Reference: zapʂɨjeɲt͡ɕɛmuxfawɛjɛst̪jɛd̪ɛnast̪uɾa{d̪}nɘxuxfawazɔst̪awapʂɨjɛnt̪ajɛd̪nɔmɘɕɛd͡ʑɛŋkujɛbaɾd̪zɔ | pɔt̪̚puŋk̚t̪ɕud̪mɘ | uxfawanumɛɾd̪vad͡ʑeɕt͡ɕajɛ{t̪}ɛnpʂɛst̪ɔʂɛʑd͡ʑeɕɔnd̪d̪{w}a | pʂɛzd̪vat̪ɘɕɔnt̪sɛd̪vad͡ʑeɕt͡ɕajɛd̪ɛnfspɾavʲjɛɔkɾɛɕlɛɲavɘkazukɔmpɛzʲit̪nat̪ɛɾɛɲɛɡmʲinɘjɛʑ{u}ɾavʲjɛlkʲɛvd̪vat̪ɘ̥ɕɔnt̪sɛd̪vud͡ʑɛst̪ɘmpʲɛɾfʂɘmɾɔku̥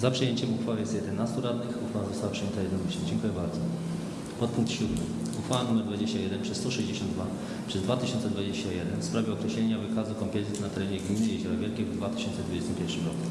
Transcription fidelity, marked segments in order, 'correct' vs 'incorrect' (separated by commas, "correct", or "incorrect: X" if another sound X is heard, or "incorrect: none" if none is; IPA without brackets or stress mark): correct, incorrect: d̪, incorrect: v, incorrect: ɔ